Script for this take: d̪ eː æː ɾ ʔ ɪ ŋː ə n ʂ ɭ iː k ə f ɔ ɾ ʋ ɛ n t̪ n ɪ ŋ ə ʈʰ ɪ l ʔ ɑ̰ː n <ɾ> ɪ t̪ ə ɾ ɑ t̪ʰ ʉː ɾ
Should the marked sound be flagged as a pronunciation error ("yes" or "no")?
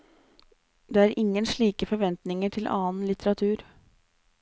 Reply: yes